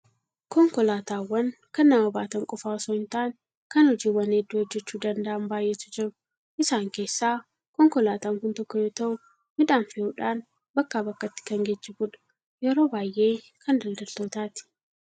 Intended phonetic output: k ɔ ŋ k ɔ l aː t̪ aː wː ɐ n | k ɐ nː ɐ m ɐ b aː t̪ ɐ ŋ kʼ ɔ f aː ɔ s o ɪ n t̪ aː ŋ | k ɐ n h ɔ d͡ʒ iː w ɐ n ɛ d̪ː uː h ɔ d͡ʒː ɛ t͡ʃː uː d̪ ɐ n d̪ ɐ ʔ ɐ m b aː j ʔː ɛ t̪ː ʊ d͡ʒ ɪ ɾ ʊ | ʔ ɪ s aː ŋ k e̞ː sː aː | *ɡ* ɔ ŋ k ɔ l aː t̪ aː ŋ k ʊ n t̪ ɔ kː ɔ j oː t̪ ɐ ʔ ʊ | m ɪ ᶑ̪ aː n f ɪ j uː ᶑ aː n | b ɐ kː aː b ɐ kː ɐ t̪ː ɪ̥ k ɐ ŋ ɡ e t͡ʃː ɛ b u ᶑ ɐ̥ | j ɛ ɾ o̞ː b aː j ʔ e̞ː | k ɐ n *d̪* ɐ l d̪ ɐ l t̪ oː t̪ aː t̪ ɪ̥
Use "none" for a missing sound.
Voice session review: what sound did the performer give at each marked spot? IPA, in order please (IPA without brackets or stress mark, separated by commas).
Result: k, d̪